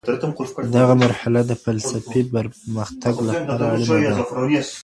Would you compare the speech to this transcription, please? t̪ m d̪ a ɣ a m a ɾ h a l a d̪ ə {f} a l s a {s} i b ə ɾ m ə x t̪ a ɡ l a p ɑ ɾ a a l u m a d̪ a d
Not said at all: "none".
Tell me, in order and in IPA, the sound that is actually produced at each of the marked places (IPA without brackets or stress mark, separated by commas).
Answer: f, f